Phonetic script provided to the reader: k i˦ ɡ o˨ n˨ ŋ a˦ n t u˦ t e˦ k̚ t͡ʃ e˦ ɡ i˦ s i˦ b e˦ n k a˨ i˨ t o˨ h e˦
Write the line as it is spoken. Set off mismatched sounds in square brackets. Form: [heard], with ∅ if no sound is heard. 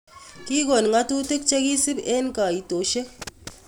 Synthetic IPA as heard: k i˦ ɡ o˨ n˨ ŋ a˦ [∅] t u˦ t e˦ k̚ t͡ʃ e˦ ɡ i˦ s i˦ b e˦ n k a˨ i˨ t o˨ [ʃ] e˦